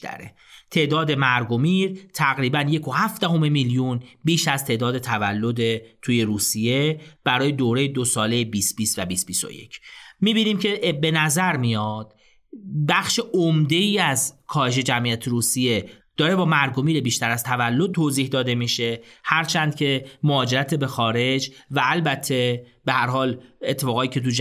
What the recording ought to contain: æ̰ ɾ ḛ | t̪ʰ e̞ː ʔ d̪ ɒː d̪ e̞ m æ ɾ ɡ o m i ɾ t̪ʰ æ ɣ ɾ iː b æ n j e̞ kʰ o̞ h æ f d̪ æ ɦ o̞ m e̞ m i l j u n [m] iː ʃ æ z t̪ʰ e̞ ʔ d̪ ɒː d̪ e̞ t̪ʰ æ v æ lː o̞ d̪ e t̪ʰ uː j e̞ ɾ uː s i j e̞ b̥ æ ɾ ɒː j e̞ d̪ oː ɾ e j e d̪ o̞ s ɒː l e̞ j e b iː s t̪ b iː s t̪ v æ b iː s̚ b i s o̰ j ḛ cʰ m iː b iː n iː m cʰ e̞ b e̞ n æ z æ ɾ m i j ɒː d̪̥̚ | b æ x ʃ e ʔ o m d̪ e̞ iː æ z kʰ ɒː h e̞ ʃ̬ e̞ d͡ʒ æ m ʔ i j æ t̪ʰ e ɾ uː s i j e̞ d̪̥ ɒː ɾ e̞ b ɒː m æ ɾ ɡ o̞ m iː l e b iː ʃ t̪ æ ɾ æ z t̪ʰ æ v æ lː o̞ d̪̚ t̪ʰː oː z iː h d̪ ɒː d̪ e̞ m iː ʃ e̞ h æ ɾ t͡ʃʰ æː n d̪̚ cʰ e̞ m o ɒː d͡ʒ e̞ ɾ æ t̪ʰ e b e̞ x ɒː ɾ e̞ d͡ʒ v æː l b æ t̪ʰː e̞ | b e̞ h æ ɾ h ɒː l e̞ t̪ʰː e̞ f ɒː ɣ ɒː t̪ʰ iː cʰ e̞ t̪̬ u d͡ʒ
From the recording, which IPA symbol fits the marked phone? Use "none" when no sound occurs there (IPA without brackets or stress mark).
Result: b